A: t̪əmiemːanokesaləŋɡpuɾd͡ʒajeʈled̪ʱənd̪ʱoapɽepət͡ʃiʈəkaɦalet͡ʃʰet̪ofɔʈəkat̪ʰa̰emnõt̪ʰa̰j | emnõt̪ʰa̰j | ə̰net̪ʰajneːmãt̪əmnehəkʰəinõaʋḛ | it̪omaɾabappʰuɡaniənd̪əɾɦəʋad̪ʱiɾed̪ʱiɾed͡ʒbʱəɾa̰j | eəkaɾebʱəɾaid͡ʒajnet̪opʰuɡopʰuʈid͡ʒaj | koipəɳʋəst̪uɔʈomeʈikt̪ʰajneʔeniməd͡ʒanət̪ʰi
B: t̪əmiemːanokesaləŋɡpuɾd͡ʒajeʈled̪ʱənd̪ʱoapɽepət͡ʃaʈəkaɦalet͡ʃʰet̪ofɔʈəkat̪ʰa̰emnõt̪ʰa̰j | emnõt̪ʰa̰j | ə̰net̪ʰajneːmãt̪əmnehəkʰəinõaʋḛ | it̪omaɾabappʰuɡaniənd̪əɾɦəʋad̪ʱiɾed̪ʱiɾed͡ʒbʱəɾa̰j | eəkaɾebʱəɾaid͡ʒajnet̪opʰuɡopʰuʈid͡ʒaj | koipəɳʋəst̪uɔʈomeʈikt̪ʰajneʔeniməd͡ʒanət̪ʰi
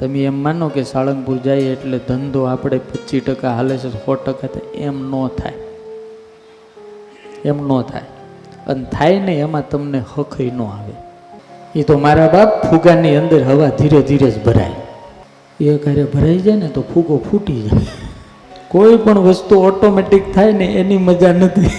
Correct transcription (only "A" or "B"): A